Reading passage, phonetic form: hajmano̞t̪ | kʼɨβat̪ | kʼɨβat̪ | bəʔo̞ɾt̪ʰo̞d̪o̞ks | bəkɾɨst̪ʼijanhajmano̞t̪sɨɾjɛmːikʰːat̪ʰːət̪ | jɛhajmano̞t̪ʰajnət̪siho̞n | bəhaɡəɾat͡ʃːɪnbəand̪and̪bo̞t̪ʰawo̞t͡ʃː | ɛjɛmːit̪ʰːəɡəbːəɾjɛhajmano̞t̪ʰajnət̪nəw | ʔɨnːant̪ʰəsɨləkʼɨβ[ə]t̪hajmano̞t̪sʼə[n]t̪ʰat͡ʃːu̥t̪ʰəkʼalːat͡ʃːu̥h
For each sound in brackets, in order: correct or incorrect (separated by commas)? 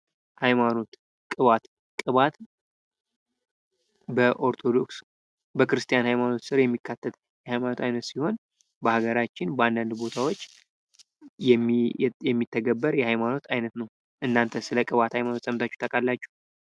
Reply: incorrect, incorrect